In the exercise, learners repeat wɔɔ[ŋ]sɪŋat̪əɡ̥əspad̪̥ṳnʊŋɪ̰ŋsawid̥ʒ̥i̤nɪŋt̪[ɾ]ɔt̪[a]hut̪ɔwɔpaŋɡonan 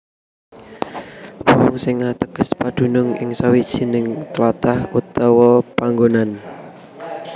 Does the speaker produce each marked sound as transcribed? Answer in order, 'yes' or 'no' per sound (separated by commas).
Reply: yes, no, yes